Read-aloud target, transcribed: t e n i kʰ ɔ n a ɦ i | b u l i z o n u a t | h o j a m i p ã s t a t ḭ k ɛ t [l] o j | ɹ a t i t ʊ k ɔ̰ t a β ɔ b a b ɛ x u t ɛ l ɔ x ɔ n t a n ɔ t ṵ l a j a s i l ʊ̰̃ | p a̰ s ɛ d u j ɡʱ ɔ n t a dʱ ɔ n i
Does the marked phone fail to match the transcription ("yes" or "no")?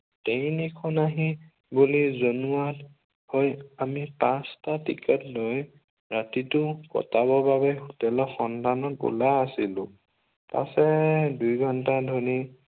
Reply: no